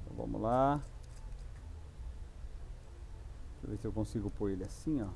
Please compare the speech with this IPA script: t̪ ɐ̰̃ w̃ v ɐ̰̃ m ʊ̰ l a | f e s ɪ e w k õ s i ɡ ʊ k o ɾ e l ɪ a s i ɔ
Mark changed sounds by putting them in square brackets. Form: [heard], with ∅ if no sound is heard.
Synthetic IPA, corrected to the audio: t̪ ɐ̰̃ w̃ v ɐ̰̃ m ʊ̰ l a | [v] e s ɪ e w k õ s i ɡ ʊ [p] o ɾ e l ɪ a s [ĩ] ɔ